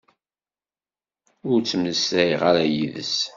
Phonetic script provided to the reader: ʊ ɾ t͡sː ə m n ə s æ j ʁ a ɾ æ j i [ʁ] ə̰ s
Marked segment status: incorrect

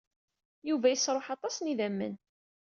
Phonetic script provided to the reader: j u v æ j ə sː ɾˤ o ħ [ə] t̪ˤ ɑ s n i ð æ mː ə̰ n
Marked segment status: incorrect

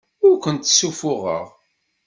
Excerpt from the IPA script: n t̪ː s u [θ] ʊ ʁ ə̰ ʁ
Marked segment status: incorrect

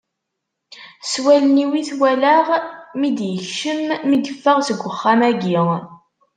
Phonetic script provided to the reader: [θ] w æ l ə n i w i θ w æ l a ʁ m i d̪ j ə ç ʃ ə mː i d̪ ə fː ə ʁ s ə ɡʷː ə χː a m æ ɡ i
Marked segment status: incorrect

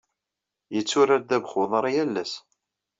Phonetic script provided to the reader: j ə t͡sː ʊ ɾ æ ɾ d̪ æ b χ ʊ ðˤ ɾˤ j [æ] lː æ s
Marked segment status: correct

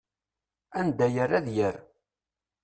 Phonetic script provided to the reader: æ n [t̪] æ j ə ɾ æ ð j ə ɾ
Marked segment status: incorrect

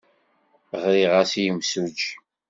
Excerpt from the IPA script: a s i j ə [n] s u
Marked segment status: incorrect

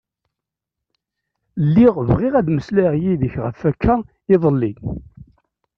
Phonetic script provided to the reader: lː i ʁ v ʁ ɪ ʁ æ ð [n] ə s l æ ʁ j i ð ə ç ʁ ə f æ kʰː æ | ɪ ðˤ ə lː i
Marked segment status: incorrect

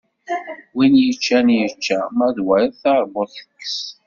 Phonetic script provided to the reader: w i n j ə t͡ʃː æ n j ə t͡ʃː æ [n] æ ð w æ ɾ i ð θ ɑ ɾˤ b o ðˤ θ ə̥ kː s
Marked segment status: incorrect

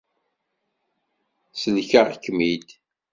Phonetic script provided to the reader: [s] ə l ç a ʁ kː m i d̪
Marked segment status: correct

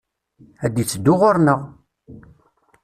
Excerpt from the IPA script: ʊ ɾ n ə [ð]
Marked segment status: incorrect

